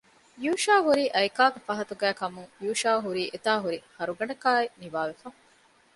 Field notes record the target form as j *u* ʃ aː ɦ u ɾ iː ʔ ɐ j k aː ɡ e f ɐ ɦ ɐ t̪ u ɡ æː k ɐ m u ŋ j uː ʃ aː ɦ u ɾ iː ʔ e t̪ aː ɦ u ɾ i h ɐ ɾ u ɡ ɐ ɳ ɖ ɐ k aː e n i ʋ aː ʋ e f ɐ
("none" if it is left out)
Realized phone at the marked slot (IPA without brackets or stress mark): uː